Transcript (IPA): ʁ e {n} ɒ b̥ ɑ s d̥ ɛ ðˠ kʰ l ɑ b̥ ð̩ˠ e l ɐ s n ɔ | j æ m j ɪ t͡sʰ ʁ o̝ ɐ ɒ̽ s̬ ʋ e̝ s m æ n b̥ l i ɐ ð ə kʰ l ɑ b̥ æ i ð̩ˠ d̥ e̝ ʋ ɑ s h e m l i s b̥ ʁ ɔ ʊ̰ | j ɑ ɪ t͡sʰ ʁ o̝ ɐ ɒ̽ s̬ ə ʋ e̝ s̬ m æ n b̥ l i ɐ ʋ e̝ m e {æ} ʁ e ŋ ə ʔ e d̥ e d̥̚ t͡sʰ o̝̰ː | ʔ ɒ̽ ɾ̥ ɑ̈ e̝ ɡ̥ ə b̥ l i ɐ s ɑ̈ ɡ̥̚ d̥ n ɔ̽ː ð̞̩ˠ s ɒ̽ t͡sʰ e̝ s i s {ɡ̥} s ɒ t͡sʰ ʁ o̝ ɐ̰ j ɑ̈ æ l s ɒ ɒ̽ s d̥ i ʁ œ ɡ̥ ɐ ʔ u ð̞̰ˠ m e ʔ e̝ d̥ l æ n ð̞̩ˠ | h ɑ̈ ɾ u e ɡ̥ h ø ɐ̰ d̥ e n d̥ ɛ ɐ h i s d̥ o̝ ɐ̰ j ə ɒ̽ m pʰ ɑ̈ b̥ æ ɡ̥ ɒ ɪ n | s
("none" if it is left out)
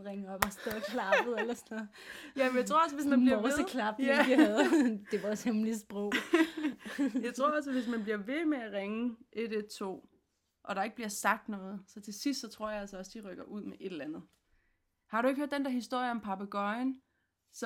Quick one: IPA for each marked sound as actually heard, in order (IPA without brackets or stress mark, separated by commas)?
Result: ŋ, æ, d̥